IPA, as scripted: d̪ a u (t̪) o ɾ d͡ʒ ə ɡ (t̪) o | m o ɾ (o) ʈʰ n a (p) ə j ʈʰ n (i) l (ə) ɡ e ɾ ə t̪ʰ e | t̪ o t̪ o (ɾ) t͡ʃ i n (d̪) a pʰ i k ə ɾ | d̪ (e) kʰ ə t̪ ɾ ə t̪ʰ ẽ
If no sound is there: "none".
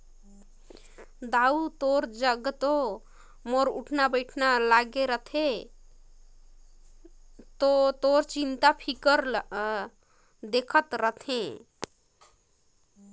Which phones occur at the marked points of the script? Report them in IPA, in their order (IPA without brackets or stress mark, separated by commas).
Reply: t̪, t̪, u, b, a, a, ɾ, t̪, e